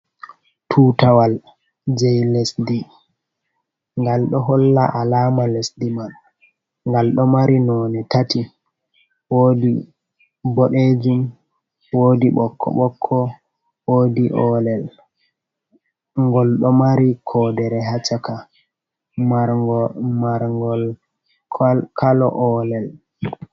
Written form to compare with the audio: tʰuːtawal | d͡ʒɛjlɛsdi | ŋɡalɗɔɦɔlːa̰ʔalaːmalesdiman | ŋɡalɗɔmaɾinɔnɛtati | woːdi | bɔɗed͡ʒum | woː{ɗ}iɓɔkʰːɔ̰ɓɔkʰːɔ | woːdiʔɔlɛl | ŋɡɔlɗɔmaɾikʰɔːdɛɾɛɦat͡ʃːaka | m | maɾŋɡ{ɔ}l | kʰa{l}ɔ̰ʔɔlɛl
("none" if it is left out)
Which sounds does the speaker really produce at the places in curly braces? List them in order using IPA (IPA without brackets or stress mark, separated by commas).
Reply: d, ɔ, l